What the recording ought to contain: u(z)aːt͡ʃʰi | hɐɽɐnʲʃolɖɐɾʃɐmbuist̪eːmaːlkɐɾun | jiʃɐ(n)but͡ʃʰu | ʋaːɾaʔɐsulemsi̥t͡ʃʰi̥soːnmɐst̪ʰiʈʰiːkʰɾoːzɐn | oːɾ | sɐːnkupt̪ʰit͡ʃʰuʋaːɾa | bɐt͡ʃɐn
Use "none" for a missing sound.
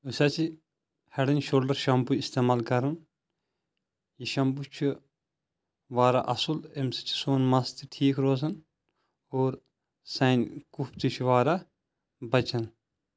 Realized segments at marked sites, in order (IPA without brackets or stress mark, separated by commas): s, m